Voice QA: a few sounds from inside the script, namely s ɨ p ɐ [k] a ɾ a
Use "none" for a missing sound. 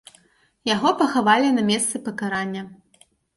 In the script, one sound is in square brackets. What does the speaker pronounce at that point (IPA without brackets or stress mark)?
k